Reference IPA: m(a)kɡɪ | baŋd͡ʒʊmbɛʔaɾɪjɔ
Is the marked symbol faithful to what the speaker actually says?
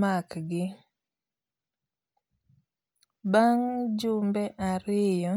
yes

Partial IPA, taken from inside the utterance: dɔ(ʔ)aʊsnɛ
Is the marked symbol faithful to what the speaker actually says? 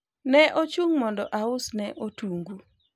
yes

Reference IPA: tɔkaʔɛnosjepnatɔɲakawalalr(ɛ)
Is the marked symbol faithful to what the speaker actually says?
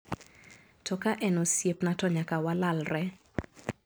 yes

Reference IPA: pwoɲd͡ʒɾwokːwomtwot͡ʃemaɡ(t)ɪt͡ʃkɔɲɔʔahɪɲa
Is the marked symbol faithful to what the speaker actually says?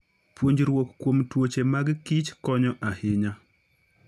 no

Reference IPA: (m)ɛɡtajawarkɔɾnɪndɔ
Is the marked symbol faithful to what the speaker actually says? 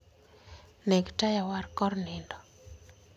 no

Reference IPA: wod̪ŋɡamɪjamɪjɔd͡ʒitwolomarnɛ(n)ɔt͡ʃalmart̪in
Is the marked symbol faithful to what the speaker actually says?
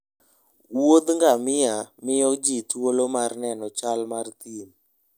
yes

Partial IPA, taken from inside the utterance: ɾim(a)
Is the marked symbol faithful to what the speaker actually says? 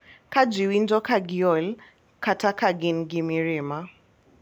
yes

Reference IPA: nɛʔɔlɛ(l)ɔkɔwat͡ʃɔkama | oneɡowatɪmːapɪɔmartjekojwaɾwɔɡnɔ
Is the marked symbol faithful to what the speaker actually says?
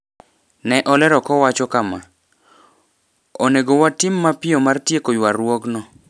no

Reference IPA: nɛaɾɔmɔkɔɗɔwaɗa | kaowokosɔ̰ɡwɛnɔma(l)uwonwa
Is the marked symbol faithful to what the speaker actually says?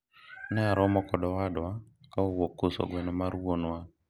no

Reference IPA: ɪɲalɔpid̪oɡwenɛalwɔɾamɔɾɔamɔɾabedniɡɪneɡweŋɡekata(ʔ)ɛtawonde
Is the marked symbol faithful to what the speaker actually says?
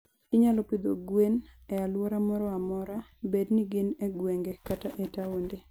yes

